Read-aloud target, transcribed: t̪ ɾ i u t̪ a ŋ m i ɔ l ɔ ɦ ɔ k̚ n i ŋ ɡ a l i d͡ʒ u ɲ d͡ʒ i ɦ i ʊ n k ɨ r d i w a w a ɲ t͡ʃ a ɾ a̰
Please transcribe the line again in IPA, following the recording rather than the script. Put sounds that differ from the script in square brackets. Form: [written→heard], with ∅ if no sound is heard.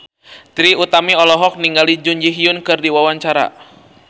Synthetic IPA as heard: t̪ ɾ i u t̪ a [ŋ→∅] m i ɔ l ɔ ɦ ɔ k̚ n i ŋ ɡ a l i d͡ʒ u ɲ d͡ʒ i ɦ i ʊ n k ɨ r d i w a w a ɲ t͡ʃ a ɾ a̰